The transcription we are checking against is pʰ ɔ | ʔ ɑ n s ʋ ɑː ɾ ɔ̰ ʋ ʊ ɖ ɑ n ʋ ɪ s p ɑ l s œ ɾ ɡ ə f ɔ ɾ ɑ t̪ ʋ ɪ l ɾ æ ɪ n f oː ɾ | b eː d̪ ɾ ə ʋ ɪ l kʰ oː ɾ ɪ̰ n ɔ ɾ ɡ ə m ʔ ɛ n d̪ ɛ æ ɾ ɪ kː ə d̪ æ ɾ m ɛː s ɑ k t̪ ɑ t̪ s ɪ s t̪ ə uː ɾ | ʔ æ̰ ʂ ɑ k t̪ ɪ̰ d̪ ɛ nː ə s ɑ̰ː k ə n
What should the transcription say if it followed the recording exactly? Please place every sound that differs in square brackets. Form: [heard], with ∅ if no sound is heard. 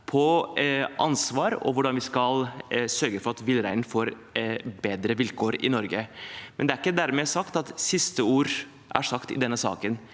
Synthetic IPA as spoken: pʰ ɔ | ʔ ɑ n s ʋ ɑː ɾ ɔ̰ ʋ ʊ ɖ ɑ n ʋ ɪ s [k] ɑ l s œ ɾ ɡ ə f ɔ ɾ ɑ t̪ ʋ ɪ l ɾ æ ɪ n f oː ɾ | b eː d̪ ɾ ə ʋ ɪ l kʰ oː ɾ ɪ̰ n ɔ ɾ ɡ ə m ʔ ɛ n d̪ ɛ æ ɾ ɪ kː ə d̪ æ ɾ m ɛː s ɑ k t̪ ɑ t̪ s ɪ s t̪ ə uː ɾ | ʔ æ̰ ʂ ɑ k t̪ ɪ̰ d̪ ɛ nː ə s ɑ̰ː k ə n